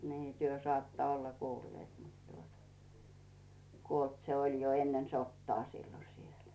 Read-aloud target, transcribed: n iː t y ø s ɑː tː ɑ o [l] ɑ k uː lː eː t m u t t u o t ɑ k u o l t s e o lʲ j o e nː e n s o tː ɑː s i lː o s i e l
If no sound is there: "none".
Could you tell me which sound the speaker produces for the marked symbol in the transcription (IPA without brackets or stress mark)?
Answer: lː